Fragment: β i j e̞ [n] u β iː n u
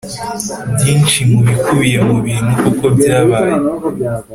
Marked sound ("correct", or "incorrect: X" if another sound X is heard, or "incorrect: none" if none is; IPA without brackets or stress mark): incorrect: m